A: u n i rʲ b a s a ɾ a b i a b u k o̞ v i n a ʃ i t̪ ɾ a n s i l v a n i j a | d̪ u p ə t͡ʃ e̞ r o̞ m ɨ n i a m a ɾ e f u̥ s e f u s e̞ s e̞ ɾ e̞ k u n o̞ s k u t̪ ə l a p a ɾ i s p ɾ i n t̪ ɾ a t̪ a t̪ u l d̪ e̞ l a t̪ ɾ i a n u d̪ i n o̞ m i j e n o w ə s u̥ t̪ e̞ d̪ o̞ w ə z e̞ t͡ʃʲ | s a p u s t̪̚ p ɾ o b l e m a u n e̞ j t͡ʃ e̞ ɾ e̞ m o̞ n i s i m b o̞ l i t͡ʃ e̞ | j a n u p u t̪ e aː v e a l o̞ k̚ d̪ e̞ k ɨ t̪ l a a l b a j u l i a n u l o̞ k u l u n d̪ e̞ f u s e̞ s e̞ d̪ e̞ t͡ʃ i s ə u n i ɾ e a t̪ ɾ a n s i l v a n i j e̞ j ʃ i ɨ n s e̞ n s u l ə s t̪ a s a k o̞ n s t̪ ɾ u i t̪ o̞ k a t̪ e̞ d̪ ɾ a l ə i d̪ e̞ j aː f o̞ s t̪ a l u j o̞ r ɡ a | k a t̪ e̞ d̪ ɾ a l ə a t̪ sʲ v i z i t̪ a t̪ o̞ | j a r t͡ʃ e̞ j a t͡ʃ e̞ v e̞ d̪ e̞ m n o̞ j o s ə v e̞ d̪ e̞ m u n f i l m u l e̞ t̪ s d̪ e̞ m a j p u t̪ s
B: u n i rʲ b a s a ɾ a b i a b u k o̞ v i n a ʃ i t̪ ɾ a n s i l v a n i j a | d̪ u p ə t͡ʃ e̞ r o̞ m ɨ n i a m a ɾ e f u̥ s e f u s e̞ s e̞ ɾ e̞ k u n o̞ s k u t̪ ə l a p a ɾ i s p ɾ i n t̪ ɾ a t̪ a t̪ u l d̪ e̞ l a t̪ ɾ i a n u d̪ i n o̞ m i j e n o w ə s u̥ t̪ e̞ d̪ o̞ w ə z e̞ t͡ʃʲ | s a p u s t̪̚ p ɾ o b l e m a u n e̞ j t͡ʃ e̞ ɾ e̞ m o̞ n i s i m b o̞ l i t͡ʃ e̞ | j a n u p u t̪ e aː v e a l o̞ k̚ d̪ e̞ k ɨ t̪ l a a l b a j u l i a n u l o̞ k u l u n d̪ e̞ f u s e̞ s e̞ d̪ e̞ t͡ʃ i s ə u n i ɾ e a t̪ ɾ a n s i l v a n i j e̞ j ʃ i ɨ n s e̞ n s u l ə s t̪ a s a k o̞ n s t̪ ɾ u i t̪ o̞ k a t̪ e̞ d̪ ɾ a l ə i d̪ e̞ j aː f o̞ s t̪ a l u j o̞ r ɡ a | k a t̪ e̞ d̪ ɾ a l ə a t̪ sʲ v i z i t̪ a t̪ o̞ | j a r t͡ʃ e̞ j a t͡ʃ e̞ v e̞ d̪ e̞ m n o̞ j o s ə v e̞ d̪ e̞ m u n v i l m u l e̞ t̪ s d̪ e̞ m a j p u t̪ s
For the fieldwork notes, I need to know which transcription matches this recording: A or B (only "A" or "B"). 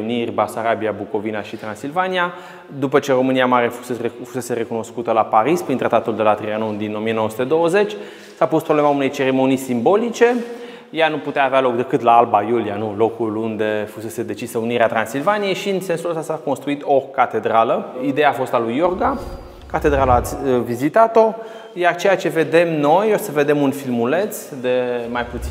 A